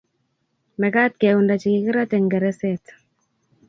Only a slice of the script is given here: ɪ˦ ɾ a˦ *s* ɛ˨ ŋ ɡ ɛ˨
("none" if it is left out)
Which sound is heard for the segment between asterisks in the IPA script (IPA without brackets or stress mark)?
t